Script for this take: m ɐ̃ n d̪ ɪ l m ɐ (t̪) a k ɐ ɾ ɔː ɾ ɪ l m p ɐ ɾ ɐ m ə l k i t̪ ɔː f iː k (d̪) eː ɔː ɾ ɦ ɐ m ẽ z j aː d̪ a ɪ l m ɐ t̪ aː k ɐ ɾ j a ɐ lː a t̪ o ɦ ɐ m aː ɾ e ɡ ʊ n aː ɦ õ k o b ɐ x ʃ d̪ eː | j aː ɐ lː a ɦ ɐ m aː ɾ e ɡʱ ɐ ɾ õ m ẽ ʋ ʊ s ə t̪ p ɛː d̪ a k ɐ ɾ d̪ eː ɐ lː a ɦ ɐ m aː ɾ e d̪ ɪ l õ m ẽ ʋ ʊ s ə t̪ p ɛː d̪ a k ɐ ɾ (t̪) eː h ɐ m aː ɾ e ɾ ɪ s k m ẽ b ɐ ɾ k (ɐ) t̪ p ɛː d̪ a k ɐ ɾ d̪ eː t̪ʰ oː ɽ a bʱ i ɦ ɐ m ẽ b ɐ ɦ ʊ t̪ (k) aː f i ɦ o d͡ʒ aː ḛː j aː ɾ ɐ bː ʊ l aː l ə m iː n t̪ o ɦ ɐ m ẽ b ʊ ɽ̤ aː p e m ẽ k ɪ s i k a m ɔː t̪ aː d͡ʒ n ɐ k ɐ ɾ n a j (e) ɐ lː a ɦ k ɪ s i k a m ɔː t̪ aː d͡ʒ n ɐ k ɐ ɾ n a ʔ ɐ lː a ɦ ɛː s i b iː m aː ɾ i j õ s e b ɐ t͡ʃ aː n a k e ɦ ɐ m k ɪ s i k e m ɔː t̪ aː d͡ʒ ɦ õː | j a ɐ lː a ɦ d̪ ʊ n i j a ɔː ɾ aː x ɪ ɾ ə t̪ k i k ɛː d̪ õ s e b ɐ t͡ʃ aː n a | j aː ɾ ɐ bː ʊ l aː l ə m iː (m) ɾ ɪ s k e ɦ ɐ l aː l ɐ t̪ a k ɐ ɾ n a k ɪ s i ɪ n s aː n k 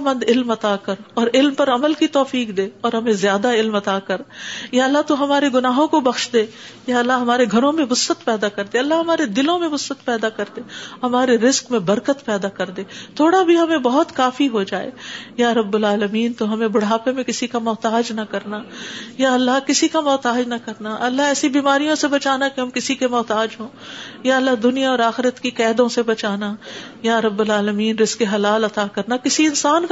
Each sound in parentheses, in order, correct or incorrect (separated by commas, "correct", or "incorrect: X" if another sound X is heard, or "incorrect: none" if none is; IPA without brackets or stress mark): correct, correct, incorrect: d̪, incorrect: ə, correct, incorrect: a, incorrect: n